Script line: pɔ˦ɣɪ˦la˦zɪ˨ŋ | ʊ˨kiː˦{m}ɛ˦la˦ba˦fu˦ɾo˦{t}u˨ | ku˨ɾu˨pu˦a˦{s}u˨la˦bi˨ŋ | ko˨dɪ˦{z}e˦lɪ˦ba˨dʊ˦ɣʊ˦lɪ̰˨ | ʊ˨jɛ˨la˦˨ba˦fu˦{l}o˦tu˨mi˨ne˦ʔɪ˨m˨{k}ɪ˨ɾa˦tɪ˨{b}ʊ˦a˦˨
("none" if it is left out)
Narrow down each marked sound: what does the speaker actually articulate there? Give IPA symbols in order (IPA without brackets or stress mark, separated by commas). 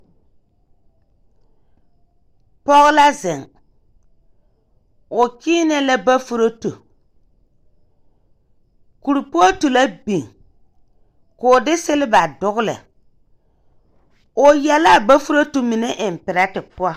n, t, t, s, ɾ, p, p